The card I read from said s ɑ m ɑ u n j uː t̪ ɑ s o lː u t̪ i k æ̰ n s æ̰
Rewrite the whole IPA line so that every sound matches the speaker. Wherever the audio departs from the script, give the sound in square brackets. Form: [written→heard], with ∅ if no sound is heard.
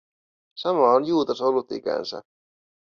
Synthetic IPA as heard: s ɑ m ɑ [u→o] n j uː t̪ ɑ s o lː u t̪ i k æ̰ n s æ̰

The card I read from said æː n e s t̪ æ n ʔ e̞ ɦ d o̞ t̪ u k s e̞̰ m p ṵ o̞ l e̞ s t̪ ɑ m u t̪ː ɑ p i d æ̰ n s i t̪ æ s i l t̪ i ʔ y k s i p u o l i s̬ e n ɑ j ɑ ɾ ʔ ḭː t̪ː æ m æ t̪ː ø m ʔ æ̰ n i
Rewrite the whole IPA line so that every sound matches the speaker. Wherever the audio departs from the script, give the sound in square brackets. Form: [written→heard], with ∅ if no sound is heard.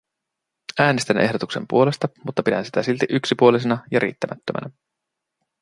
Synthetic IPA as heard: æː n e s t̪ æ n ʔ e̞ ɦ d o̞ t̪ u k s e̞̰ m p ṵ o̞ l e̞ s t̪ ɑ m u t̪ː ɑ p i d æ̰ n s i t̪ æ s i l t̪ i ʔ y k s i p u o l i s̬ e n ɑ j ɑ ɾ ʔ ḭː t̪ː æ m æ t̪ː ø m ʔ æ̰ n [i→æ]

